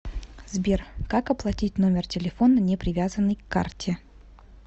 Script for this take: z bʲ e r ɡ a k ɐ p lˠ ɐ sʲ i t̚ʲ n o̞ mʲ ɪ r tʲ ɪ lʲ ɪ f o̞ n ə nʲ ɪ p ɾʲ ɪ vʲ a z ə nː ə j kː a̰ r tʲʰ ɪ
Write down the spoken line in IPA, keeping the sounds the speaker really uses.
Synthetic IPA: z bʲ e r k a k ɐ p lˠ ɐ tʲ i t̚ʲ n o̞ mʲ ɪ r tʲ ɪ lʲ ɪ f o̞ n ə nʲ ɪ p ɾʲ ɪ vʲ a z ə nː ə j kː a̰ r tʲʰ ɪ